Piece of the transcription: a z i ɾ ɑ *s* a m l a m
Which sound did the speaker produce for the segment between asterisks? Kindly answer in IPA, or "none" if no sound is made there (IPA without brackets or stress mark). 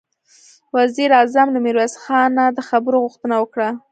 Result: z